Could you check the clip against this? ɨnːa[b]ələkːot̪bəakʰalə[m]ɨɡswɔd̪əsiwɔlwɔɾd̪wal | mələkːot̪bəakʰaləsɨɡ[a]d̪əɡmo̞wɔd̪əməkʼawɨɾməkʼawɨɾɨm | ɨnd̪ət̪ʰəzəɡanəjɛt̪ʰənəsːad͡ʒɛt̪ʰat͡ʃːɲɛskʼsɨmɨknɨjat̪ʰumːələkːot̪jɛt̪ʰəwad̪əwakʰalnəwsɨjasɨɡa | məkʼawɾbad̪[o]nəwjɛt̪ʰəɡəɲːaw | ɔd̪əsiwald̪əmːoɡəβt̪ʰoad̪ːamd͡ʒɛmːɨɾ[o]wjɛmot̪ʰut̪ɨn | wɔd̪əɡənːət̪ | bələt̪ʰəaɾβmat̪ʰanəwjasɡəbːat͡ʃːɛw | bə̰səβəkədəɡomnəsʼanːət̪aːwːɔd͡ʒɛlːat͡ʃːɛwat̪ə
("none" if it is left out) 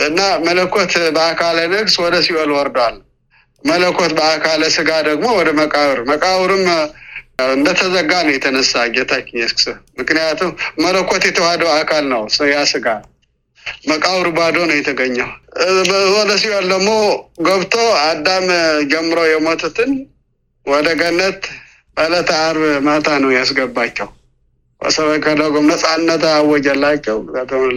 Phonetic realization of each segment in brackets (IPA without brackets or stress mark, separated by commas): m, n, a, o, o